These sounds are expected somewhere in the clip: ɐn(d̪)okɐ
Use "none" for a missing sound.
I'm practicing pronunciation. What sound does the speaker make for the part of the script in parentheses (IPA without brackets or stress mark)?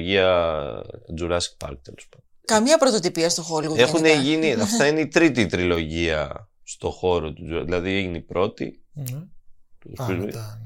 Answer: d̪